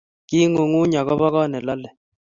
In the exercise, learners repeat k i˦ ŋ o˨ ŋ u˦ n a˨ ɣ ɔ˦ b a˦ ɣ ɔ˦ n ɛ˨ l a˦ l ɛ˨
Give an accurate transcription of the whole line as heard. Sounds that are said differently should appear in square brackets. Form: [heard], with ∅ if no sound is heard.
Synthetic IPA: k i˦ ŋ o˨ ŋ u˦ [ɲ] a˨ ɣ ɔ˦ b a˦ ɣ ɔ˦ n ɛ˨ l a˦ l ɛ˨